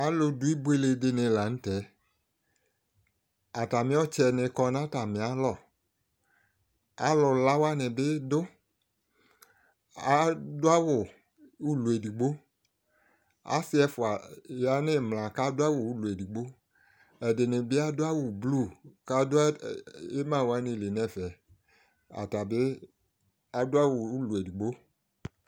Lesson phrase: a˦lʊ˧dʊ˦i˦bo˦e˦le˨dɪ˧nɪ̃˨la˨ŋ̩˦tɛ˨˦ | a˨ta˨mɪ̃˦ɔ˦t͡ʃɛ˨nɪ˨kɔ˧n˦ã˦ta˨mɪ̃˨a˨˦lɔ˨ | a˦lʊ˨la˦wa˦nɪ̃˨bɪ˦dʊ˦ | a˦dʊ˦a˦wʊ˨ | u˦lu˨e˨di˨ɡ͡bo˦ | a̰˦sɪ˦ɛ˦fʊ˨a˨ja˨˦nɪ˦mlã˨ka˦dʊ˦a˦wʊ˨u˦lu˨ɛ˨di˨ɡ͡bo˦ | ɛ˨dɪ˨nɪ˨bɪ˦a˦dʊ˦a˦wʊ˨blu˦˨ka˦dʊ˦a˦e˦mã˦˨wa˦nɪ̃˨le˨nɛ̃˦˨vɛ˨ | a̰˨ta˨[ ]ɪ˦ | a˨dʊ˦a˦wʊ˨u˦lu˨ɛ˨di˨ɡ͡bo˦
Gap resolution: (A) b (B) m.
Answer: A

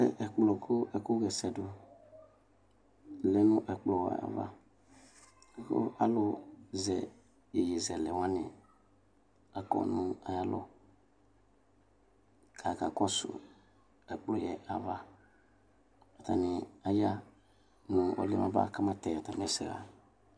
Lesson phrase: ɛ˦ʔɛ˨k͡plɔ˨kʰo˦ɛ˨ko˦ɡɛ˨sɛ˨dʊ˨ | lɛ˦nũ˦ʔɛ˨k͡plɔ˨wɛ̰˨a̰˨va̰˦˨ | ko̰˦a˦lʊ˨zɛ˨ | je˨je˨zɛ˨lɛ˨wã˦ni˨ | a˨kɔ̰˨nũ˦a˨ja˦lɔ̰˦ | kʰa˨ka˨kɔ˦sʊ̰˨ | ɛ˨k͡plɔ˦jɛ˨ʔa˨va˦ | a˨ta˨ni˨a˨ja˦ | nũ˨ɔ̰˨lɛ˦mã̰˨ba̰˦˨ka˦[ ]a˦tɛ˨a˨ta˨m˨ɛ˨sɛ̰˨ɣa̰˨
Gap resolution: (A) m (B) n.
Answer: A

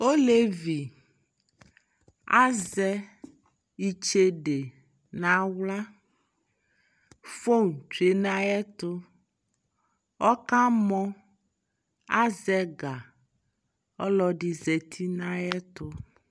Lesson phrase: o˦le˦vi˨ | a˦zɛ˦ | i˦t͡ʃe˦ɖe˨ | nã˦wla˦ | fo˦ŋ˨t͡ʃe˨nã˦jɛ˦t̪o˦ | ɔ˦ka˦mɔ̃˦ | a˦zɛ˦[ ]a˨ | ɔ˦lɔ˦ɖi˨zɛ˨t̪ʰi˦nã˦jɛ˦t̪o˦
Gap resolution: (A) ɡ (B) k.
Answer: A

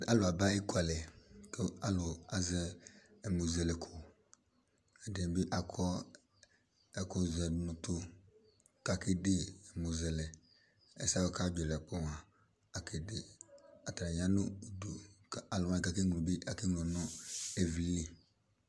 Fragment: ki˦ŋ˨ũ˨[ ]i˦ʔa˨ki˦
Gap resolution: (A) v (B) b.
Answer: B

